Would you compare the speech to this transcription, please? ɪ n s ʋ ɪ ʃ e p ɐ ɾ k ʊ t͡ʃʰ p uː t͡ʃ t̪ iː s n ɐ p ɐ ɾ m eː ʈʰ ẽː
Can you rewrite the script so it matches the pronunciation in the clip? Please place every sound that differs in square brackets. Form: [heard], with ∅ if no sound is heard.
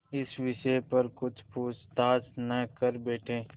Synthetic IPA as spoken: ɪ [∅] s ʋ ɪ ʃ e p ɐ ɾ k ʊ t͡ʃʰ p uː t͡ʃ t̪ [aː] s n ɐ [k] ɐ ɾ [b] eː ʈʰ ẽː